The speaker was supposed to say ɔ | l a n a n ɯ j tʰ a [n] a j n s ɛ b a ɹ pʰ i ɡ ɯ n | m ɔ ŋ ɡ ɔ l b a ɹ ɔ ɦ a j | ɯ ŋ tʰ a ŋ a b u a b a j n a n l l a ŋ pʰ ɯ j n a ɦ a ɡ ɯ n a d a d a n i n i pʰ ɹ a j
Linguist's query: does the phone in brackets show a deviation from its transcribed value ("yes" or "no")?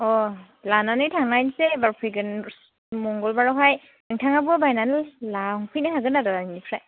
yes